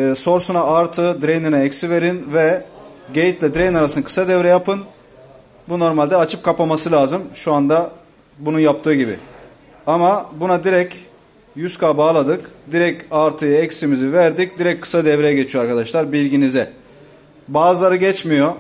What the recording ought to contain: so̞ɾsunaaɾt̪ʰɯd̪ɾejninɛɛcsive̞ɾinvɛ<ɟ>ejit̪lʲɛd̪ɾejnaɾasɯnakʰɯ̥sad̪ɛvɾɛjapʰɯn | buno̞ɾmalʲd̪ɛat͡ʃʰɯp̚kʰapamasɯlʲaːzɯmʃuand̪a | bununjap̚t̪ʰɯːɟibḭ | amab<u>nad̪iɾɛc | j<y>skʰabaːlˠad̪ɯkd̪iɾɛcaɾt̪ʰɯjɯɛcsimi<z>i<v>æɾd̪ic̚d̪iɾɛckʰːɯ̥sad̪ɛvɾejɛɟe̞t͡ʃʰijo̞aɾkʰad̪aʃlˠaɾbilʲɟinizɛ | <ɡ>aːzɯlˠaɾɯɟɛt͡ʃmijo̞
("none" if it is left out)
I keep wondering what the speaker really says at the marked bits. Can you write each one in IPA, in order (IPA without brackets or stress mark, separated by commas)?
ɟ, u, y, z, v, b